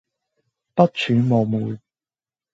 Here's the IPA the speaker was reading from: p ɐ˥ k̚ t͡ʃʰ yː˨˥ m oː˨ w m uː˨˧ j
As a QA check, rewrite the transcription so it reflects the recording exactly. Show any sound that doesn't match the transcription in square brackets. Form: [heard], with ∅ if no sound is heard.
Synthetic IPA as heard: p ɐ˥ [t̚] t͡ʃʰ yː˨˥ m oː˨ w m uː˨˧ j